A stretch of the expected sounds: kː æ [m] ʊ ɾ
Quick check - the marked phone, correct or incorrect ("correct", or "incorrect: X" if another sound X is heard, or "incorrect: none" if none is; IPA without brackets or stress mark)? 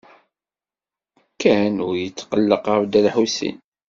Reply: incorrect: n